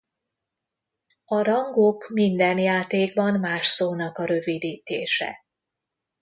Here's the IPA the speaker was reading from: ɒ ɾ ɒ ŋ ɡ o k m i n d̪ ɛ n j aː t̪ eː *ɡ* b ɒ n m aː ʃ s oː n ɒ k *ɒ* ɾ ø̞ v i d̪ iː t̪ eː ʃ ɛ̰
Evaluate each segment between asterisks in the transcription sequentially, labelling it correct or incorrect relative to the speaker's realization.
correct, correct

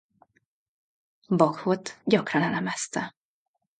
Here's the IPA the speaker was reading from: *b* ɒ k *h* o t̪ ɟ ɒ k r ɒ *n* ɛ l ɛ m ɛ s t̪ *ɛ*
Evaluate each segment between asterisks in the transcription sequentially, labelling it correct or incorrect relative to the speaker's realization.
correct, correct, correct, correct

